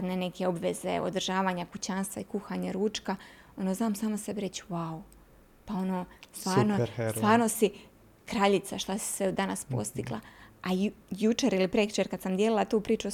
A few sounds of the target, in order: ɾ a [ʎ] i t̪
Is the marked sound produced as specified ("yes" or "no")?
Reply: yes